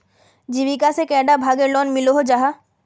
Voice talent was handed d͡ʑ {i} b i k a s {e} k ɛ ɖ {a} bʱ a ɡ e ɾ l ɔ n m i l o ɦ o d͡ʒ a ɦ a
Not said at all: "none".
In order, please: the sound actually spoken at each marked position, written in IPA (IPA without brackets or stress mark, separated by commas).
i, e, a